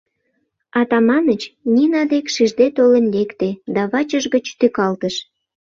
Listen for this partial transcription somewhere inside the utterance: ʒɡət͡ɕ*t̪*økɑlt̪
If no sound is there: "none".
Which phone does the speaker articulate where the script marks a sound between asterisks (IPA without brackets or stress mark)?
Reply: t̪